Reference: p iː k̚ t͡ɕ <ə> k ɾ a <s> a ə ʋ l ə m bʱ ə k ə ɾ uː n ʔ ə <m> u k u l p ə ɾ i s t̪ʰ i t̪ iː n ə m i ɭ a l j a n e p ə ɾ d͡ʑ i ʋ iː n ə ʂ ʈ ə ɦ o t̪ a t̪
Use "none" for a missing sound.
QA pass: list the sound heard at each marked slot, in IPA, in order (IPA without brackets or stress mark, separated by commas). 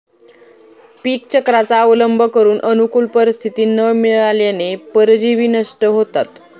ə, t͡s, n